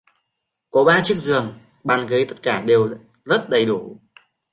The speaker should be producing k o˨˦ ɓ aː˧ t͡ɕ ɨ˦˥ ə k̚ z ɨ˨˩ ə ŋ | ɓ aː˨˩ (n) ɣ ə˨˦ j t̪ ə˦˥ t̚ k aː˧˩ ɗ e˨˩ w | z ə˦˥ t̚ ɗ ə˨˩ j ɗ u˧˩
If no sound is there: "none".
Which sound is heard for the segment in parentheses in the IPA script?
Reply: n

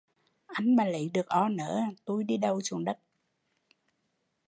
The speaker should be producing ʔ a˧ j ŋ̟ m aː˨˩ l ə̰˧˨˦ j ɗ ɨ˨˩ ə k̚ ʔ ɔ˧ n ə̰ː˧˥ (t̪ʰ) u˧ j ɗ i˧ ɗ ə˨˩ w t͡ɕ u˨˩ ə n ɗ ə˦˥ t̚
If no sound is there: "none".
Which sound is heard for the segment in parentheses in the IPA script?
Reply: t̪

